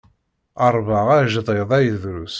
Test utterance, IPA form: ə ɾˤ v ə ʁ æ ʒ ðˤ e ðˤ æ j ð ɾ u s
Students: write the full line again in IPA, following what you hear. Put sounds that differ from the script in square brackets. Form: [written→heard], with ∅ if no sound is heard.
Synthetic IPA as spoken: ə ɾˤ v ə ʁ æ ʒ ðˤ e ðˤ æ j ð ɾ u s